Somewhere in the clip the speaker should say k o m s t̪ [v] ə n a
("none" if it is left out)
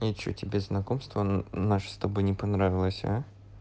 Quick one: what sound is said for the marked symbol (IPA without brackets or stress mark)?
v